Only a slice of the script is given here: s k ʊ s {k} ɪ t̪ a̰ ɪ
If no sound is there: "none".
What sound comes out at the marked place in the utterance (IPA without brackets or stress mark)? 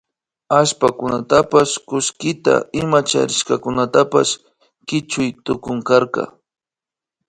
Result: k